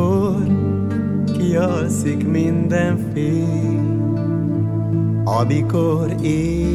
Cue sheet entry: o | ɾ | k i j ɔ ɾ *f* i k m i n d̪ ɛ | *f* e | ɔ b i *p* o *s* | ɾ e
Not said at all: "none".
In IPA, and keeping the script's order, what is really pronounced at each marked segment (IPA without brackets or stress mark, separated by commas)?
s, f, k, none